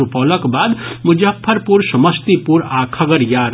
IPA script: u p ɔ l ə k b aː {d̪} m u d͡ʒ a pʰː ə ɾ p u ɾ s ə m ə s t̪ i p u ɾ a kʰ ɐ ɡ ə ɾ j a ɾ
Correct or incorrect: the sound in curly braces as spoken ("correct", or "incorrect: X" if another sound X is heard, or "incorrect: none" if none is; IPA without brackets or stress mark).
correct